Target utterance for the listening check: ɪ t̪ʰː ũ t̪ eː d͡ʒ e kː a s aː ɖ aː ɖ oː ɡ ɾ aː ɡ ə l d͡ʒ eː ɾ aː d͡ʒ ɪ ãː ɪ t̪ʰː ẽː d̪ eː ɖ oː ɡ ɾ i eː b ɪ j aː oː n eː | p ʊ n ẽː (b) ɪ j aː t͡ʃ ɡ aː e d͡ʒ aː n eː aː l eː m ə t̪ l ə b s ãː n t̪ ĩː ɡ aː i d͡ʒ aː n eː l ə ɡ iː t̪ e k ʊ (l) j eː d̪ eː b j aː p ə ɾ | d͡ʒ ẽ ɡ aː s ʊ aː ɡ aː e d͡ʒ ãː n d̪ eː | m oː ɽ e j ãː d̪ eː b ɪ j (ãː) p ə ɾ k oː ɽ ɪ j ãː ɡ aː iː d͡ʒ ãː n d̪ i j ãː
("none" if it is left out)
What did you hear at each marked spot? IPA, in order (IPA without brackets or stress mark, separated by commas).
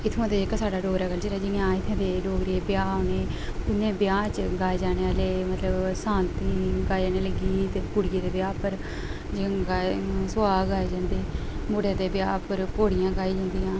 b, ɽ, aː